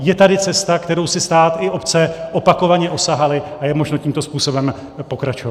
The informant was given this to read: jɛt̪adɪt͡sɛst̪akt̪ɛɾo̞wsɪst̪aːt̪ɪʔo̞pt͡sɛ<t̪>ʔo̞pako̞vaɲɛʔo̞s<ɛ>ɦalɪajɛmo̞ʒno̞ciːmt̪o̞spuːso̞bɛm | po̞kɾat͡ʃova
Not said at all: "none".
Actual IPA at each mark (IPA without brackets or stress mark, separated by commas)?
none, a